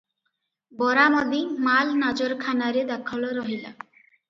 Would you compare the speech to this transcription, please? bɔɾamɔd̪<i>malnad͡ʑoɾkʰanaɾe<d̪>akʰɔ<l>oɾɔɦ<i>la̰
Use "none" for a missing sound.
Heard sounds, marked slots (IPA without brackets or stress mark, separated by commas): i, d̪, l, i